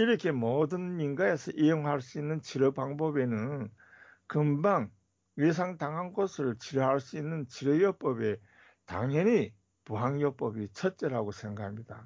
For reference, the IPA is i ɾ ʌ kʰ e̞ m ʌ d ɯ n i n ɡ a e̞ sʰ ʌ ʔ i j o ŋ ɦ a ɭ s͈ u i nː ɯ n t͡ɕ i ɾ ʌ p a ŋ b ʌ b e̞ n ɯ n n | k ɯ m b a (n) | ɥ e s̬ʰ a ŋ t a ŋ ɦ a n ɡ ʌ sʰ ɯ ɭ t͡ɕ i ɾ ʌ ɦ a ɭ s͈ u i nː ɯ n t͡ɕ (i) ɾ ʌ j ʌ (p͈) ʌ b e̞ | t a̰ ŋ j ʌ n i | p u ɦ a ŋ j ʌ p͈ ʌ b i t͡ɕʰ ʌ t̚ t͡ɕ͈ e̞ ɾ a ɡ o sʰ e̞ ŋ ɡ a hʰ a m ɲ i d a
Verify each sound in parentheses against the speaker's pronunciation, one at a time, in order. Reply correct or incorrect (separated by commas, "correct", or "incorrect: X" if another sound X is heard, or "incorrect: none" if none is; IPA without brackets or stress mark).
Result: incorrect: ŋ, correct, correct